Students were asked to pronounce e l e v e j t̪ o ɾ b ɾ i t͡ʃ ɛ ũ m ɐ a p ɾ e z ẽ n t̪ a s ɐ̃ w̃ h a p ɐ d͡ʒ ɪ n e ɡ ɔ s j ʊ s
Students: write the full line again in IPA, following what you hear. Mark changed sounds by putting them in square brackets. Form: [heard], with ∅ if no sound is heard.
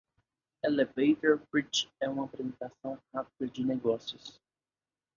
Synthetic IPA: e l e v e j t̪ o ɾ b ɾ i t͡ʃ ɛ ũ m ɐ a p ɾ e z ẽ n t̪ a s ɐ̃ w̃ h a p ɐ d͡ʒ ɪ n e ɡ ɔ s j ʊ s